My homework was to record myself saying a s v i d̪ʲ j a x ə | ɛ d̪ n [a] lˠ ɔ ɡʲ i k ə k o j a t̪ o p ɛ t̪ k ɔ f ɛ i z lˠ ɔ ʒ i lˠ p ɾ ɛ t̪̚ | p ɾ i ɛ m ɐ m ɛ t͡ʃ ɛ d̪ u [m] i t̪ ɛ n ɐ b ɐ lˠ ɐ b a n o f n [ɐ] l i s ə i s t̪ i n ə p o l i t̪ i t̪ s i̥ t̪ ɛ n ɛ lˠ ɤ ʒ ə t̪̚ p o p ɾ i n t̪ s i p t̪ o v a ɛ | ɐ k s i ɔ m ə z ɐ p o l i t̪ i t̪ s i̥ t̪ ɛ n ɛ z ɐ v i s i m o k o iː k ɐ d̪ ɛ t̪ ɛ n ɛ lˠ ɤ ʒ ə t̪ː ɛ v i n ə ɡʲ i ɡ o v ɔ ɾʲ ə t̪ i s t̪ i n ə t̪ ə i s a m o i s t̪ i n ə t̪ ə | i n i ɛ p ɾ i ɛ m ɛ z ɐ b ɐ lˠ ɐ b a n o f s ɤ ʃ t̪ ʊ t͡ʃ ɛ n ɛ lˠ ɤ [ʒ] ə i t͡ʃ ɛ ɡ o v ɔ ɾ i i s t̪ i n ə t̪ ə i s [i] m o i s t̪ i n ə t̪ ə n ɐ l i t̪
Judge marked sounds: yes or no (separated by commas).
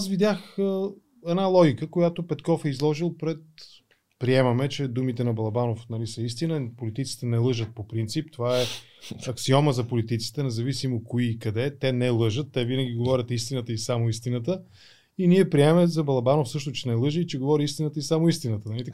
yes, yes, yes, yes, no